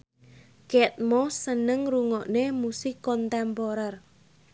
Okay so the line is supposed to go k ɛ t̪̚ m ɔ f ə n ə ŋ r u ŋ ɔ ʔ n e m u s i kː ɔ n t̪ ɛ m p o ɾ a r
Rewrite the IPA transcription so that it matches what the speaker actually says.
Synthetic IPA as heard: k ɛ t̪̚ m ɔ s ə n ə ŋ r u ŋ ɔ ʔ n e m u s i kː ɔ n t̪ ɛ m p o ɾ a r